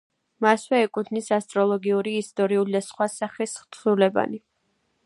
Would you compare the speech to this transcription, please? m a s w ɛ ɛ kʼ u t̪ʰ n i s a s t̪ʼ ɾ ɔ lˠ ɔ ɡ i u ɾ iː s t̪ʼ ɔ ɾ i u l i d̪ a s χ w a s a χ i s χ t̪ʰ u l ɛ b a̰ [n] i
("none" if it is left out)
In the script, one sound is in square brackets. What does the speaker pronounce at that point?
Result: n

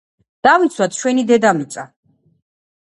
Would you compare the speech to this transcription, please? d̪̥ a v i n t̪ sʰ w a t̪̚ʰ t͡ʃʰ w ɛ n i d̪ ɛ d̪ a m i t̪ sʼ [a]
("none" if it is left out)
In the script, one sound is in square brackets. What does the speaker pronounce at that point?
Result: a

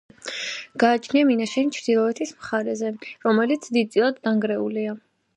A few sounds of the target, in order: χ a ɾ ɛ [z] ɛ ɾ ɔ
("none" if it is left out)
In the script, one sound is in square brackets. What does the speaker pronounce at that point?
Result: z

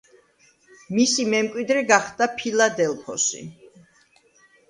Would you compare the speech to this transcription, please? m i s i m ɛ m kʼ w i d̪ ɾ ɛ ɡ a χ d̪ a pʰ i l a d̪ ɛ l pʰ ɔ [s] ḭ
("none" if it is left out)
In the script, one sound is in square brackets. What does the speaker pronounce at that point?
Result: s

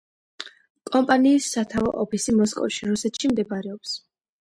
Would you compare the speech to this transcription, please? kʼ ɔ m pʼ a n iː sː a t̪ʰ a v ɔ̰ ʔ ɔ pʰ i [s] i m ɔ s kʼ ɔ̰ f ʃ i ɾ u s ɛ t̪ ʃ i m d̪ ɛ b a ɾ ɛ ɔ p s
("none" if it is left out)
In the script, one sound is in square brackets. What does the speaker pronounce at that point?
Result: s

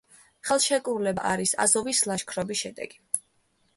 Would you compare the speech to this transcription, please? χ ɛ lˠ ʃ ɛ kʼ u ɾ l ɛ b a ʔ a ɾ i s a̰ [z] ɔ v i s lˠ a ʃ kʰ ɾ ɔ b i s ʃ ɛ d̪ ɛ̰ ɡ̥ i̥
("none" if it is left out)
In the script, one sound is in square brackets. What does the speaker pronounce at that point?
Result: z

